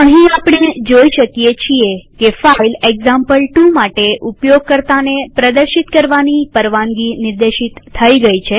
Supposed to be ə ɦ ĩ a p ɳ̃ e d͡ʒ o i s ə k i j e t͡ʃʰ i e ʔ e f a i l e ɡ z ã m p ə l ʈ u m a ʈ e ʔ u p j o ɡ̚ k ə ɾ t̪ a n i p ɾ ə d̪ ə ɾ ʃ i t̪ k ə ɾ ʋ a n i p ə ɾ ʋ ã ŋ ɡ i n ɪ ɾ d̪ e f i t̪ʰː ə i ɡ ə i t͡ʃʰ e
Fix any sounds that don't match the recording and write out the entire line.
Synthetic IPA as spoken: ə ɦ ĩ a p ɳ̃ e d͡ʒ o i ʃ ə k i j e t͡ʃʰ i e k e f a i l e ɡ z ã m p ə l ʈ u m a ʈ e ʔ u p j o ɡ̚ k ə ɾ t̪ a n e p ɾ ə d̪ ə ɾ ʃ i t̪ k ə ɾ ʋ a n i p ə ɾ ʋ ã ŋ ɡ i n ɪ ɾ d̪ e ʃ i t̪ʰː ə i ɡ ə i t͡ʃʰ e